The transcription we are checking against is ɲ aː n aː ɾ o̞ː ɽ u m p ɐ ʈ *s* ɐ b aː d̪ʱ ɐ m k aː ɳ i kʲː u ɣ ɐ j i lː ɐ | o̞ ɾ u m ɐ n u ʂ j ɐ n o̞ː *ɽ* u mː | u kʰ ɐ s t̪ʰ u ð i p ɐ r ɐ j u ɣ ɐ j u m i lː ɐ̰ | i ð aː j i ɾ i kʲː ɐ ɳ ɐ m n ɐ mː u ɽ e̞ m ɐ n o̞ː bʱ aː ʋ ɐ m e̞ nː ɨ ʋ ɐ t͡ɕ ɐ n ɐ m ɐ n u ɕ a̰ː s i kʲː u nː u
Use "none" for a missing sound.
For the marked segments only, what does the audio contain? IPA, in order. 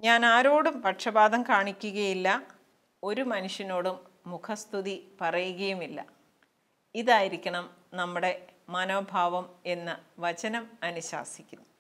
ʂ, ɽ

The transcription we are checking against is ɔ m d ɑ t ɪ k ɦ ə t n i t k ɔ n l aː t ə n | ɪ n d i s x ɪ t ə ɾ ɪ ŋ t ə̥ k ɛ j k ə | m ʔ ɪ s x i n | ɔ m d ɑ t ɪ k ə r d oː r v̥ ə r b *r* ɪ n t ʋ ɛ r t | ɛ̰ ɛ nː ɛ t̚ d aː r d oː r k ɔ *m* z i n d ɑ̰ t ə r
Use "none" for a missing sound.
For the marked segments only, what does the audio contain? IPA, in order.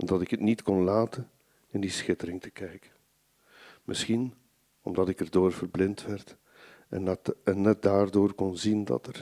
l, n

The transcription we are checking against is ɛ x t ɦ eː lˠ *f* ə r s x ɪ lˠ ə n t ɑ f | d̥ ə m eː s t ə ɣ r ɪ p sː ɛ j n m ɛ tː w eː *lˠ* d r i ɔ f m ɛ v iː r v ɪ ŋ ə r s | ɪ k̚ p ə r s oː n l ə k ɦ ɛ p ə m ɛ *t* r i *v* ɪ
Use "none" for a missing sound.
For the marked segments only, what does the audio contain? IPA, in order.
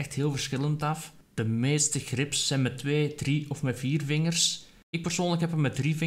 v, none, d, v

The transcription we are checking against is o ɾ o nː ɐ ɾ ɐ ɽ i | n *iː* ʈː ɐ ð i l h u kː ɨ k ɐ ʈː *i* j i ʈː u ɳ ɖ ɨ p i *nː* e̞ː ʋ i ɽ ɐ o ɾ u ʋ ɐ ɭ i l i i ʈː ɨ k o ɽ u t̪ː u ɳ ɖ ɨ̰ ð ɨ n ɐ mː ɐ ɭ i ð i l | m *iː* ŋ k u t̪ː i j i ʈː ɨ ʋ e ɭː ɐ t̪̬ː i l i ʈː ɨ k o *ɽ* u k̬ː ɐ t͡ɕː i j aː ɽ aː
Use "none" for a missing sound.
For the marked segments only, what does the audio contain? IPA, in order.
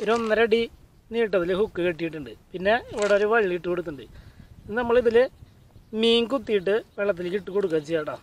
iː, i, nː, iː, ɽ

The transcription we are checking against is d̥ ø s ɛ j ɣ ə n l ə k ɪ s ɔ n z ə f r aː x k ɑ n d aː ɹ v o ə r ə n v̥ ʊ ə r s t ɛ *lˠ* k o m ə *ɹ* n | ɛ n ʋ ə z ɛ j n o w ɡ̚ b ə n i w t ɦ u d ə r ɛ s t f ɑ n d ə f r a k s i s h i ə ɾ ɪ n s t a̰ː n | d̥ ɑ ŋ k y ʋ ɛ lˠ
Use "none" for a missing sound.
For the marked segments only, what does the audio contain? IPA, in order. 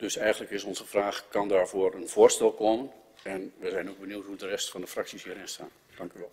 lˠ, none

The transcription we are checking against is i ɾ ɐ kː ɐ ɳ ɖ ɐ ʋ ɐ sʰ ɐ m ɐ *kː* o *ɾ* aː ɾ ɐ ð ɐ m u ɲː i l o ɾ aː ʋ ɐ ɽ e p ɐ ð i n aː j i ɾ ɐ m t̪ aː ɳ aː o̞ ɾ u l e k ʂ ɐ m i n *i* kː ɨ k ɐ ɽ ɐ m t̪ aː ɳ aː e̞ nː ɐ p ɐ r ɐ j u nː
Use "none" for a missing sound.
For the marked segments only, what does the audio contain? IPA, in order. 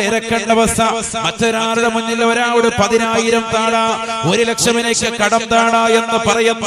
tː, ɾ, e

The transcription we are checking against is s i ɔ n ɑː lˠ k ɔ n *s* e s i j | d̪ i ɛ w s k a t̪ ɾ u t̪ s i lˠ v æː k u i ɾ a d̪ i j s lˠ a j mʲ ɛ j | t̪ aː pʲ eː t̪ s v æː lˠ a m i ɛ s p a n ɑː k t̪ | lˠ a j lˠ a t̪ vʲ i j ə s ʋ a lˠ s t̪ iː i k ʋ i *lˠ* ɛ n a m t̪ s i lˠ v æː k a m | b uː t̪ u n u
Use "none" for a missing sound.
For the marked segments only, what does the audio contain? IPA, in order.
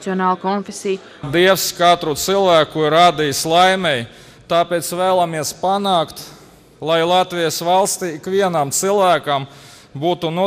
f, none

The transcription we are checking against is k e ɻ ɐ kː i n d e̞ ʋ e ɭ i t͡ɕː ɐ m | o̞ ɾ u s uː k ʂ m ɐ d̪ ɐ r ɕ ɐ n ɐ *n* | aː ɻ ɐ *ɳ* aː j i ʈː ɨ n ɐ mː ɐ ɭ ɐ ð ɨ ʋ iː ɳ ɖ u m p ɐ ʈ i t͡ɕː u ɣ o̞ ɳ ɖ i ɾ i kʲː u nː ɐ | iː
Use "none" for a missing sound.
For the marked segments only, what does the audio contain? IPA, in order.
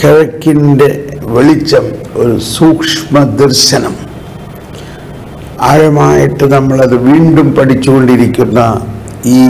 m, m

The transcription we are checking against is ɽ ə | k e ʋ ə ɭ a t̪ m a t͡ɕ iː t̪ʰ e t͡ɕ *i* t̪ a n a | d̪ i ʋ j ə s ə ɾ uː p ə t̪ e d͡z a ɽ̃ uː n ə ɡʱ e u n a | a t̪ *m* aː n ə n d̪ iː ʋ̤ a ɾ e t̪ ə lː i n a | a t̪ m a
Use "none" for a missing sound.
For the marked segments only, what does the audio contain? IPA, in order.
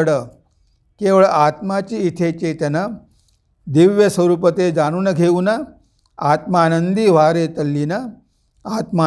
e, m

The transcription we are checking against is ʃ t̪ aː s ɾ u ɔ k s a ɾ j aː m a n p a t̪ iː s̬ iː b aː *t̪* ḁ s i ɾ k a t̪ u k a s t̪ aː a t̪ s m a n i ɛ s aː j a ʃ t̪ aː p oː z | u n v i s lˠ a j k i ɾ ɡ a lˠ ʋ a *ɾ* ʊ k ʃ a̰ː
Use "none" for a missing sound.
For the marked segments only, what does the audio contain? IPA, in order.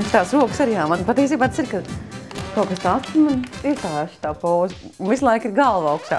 t̪, none

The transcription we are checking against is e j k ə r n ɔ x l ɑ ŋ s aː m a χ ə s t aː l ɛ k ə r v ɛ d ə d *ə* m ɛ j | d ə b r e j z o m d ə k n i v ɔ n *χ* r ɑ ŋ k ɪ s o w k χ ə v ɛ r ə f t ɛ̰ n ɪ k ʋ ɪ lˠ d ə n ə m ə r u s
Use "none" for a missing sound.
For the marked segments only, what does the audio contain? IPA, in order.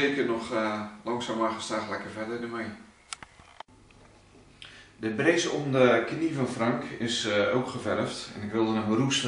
ə, f

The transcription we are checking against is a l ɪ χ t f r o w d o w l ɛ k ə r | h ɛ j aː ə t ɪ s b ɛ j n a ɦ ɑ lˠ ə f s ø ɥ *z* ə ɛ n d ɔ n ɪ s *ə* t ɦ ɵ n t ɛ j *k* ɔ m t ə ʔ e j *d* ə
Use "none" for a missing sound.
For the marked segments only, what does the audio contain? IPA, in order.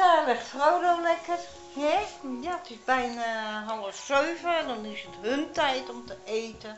v, ə, t, t

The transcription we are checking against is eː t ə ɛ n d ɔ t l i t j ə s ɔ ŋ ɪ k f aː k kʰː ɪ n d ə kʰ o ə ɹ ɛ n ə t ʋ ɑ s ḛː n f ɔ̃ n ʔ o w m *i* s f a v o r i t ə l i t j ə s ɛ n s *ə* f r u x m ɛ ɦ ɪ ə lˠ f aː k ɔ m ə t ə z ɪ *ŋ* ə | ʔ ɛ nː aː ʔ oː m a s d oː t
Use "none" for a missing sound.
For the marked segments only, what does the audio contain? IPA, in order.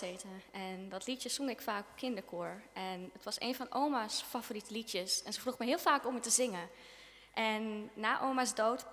a, ə, ŋ

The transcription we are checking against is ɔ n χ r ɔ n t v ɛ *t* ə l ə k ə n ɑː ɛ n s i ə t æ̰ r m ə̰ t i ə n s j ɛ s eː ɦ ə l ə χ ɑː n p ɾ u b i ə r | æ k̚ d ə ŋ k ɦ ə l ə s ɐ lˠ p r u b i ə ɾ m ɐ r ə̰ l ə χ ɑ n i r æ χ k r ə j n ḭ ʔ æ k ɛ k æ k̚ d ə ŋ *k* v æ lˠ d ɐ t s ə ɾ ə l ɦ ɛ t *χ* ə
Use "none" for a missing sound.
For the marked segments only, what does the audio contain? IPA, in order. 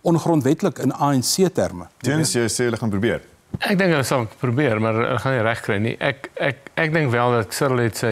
t, k, s

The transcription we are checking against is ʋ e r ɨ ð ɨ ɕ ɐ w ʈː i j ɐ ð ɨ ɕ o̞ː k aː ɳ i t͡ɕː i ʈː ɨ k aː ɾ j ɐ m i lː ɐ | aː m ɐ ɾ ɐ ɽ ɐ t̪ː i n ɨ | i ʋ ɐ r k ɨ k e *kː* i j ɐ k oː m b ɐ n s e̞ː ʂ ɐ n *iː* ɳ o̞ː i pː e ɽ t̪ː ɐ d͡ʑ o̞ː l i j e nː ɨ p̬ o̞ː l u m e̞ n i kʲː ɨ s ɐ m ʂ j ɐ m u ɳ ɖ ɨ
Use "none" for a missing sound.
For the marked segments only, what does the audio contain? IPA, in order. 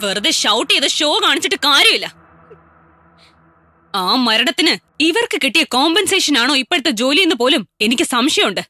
ʈː, aː

